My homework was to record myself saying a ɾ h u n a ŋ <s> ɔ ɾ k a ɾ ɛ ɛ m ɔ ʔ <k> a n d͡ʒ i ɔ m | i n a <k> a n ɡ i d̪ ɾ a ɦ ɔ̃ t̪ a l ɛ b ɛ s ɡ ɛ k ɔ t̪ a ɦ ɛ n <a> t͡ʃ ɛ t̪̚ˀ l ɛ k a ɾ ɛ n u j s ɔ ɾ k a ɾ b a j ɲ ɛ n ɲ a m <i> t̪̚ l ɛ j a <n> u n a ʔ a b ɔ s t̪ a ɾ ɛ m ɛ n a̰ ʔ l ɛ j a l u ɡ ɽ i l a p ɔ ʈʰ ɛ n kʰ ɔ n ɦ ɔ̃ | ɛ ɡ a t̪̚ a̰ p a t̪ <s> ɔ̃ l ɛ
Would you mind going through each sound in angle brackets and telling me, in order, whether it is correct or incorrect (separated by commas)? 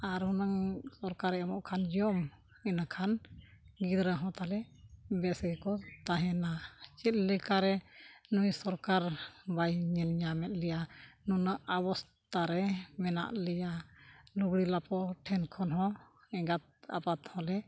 correct, incorrect, incorrect, correct, incorrect, correct, incorrect